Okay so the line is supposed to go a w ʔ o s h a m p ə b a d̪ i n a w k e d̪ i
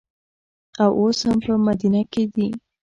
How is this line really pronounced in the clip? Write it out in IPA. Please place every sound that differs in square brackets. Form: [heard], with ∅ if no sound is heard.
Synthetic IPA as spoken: a w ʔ o s h a m p ə [m] a d̪ i n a [∅] k e d̪ i